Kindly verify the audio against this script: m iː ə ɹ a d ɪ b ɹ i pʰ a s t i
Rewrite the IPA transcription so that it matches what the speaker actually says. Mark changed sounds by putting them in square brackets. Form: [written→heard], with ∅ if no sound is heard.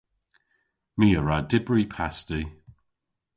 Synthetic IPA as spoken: m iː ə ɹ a d ɪ b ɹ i pʰ a s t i